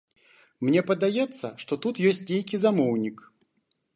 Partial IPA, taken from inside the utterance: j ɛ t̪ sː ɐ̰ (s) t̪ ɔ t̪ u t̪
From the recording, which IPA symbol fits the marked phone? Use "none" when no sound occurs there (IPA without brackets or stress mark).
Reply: ʂ